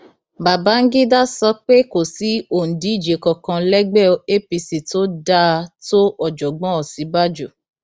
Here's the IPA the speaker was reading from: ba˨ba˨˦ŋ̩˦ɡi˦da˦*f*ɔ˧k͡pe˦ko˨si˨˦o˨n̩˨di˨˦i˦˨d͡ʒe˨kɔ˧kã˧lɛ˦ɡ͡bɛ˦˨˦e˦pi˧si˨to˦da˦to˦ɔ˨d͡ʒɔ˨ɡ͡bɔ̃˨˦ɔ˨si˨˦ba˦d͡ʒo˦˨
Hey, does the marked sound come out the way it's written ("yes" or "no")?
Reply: no